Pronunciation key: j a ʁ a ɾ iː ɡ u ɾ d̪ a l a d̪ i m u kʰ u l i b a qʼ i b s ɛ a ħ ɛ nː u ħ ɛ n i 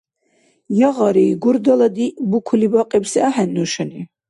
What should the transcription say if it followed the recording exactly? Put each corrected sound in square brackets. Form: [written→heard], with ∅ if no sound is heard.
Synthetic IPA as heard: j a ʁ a ɾ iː ɡ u ɾ d̪ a l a d̪ i [m→b] u kʰ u l i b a qʼ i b s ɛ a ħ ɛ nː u [ħ→ʃ] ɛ n i